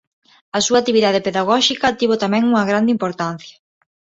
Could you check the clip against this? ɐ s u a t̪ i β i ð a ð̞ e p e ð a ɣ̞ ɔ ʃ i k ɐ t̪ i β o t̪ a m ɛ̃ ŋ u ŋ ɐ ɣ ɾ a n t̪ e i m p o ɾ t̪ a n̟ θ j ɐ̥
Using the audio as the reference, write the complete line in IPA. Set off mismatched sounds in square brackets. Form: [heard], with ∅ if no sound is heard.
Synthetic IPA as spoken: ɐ s u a t̪ i β i ð a ð̞ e p e ð a ɣ̞ ɔ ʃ i k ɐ t̪ i β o t̪ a m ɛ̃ ŋ u ŋ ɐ ɣ ɾ a n [d̪] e i m p o ɾ t̪ a n̟ θ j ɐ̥